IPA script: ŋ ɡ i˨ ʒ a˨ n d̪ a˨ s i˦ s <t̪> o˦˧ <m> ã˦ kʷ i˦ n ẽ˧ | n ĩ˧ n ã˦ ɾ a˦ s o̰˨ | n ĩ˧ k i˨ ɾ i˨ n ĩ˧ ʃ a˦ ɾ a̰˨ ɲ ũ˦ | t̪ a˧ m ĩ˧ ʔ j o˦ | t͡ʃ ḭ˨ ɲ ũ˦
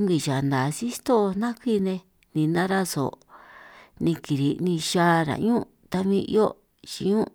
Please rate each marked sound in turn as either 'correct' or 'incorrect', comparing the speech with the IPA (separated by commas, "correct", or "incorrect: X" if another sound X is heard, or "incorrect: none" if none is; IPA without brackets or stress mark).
correct, incorrect: n